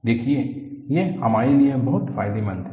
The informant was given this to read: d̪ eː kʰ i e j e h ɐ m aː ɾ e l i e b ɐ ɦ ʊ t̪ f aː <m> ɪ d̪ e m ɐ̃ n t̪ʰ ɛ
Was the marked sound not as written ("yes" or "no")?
yes